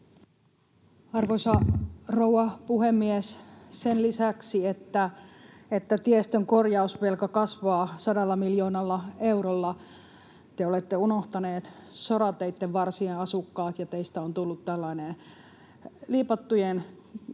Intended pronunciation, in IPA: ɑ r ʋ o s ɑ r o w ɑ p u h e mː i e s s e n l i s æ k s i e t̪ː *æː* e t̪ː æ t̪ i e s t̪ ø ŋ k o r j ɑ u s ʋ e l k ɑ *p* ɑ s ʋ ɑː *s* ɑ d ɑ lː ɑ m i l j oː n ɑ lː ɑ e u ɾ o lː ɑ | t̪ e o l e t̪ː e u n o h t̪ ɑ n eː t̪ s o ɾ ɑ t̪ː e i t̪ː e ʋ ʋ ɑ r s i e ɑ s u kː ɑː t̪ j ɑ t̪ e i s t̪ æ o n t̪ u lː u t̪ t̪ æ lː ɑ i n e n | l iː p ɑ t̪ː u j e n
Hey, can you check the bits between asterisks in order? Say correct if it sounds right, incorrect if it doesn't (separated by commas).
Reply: incorrect, incorrect, correct